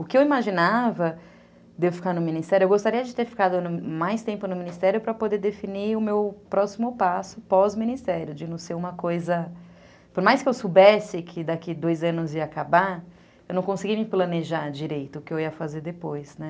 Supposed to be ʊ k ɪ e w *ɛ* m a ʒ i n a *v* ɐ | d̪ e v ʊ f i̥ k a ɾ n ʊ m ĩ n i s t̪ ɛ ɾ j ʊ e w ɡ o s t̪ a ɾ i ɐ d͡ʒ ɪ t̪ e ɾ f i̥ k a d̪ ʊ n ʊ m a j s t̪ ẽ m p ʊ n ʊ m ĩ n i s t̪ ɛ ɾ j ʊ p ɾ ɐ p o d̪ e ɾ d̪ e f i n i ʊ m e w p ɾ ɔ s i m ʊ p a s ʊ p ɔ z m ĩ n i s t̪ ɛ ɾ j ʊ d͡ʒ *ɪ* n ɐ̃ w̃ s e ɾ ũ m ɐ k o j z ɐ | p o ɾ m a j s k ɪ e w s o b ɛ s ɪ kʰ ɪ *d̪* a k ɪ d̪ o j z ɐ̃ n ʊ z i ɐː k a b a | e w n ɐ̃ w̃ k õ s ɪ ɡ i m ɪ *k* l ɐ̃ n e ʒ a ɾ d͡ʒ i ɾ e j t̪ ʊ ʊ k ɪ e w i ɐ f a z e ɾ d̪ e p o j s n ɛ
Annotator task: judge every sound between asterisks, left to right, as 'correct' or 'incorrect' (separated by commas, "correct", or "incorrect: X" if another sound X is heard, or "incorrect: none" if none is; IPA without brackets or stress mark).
incorrect: i, correct, correct, correct, incorrect: p